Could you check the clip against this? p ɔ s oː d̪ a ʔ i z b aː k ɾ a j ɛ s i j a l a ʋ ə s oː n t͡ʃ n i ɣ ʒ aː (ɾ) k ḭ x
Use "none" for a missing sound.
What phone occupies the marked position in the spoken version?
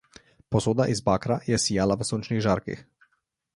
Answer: ɾ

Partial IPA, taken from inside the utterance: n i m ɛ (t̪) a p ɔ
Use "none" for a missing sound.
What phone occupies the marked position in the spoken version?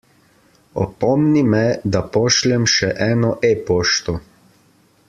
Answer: d̪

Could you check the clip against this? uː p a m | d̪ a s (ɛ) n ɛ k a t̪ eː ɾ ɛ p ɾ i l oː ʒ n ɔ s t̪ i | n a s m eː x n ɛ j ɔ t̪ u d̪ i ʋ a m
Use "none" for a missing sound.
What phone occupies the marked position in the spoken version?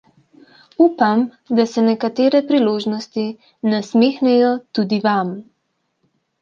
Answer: ɛ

